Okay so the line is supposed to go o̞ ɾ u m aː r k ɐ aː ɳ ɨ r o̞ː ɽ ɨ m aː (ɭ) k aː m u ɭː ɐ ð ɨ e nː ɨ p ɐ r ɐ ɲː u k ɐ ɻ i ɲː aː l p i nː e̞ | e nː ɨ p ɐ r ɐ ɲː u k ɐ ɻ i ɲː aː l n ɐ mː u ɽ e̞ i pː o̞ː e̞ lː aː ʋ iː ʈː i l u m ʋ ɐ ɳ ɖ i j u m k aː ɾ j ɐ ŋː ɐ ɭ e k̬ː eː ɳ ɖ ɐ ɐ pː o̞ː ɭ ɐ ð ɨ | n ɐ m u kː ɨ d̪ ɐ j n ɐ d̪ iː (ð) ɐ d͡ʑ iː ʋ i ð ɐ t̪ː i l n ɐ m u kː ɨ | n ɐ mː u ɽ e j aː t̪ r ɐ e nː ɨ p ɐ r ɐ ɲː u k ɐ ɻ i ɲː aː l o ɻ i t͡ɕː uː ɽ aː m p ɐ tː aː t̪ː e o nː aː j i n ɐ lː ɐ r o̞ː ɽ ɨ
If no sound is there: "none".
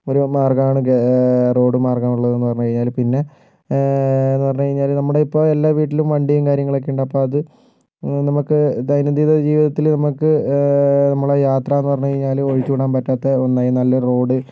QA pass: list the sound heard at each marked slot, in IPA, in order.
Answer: r, ð

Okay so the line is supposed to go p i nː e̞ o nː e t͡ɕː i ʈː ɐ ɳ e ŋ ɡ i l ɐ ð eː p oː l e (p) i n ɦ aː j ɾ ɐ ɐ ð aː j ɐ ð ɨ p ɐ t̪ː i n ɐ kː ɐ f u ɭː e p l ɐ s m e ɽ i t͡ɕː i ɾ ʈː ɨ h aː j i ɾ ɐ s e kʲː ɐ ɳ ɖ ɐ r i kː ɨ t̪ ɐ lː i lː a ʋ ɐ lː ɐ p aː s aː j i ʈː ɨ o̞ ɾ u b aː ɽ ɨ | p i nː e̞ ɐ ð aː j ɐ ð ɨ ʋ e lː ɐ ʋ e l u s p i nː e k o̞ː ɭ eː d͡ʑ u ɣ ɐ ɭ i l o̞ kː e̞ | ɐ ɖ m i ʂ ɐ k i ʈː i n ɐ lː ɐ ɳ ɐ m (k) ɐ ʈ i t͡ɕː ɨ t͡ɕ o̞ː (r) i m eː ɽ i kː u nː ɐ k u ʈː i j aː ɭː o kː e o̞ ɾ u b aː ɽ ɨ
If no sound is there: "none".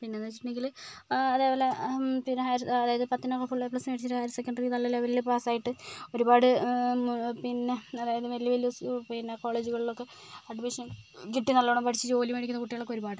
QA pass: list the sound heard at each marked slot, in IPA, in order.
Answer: p, p, l

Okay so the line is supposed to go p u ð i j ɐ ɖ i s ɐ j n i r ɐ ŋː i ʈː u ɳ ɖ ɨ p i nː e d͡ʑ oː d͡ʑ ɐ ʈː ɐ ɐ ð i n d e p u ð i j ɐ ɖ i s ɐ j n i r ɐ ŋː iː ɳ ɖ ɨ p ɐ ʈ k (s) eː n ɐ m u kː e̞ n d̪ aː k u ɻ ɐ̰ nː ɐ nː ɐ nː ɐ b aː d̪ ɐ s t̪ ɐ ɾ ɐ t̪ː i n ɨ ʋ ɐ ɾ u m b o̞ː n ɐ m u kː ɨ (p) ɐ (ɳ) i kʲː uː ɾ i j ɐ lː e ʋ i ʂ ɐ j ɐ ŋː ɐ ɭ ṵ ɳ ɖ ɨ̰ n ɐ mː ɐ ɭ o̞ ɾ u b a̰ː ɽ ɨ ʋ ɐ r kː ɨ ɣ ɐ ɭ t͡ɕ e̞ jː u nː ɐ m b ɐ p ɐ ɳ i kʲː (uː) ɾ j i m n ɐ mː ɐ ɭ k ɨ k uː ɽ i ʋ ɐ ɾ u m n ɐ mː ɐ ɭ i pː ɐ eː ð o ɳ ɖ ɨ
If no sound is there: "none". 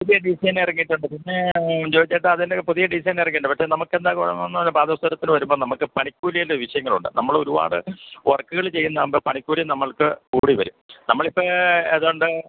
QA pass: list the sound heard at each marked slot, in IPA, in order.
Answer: ʂ, p, ɳ, uː

